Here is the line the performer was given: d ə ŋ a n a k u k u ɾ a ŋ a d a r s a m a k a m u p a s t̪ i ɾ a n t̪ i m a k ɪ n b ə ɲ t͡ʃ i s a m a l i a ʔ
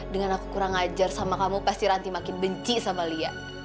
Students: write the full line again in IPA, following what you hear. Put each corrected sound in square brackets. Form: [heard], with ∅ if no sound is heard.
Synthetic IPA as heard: d ə ŋ a n a k u k u ɾ a ŋ a [d͡ʒ] a r s a m a k a m u p a s t̪ i ɾ a n t̪ i m a k ɪ n b ə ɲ t͡ʃ i s a m a l i a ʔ